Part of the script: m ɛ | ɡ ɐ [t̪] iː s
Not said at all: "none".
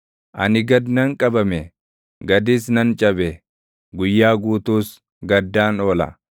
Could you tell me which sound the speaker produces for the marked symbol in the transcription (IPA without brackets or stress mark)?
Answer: d̪